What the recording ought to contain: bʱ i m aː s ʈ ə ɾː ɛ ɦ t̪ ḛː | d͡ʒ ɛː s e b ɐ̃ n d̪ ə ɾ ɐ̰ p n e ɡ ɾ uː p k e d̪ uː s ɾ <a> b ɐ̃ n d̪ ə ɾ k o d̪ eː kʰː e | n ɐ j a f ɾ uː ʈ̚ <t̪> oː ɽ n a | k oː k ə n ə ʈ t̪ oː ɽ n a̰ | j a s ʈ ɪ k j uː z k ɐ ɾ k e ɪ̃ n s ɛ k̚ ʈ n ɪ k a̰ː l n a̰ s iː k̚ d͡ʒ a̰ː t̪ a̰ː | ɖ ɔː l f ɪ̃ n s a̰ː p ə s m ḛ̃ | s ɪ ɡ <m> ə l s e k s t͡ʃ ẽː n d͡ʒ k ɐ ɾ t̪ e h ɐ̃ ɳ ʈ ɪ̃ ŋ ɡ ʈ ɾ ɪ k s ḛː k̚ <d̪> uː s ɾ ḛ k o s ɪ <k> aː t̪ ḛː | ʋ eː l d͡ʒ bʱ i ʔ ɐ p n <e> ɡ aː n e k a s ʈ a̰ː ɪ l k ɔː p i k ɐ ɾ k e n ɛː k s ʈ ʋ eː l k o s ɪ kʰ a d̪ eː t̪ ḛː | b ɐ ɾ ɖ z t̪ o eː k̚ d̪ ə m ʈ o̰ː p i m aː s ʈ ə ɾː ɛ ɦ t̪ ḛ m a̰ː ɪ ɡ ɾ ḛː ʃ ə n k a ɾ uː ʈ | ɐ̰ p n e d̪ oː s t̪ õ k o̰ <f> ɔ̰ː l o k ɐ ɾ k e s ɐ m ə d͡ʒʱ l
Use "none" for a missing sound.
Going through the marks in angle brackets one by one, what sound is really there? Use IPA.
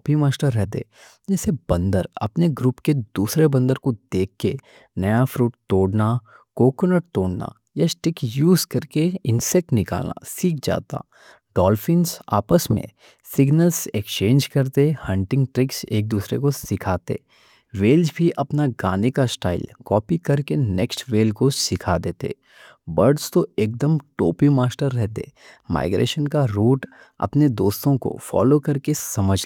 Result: e, t̪, n, d̪, kʰ, a, f

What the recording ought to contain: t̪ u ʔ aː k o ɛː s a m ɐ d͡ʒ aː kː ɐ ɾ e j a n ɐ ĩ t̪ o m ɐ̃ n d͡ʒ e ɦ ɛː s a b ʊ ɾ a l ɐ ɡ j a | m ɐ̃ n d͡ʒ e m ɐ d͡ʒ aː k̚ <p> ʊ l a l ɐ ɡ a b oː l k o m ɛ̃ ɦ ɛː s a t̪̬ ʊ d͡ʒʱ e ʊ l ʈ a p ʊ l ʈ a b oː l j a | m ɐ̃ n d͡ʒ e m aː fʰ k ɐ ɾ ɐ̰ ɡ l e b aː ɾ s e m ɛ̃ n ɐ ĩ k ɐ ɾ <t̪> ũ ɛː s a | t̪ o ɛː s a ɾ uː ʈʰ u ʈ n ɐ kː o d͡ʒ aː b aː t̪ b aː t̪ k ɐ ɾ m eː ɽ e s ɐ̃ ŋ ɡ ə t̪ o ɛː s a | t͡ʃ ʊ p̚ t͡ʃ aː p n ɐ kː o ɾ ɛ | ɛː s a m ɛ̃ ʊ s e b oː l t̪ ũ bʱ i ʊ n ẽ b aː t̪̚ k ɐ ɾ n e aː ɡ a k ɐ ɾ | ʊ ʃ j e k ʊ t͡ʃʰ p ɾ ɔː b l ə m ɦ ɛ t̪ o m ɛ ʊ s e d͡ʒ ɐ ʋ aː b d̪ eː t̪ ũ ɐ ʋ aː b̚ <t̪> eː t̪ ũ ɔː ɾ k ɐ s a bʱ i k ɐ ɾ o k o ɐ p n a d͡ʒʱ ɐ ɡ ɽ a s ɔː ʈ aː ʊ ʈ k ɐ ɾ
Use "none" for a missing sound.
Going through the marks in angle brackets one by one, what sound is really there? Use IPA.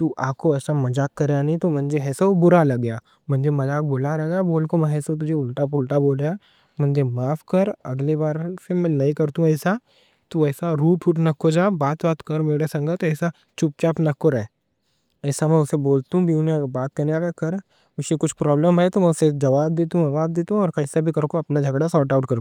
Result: b, t̪, d̪

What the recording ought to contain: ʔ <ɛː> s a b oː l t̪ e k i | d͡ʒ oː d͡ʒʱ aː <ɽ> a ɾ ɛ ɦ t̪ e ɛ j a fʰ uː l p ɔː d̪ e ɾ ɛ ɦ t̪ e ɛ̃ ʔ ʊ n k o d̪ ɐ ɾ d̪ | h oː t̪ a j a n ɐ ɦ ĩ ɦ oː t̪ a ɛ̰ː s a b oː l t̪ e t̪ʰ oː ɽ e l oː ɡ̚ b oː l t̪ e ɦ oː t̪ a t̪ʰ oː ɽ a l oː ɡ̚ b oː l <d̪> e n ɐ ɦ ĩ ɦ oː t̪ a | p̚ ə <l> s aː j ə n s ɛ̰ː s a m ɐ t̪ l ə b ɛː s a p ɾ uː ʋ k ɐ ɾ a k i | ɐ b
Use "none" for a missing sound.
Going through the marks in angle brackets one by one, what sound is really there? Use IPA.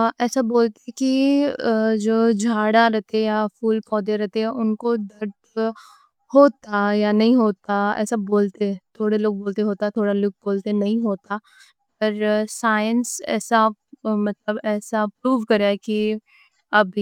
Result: ɛː, ɽ, t̪, ɾ

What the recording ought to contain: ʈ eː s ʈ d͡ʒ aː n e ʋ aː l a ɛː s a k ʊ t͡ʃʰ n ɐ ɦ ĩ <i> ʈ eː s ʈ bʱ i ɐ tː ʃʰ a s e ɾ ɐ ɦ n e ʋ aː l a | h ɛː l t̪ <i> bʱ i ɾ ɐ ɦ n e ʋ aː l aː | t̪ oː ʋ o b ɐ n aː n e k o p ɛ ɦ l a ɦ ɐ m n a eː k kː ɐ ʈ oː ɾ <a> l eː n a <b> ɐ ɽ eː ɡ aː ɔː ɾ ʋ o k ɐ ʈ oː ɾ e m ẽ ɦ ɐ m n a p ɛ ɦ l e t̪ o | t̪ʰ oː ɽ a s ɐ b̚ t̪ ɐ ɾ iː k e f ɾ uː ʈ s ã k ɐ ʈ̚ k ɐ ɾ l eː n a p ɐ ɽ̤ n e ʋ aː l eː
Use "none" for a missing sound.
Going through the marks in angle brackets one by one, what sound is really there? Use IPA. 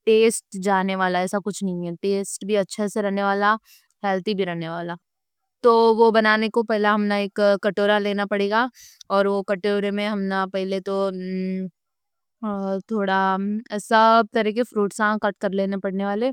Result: ɛ, i, a, p

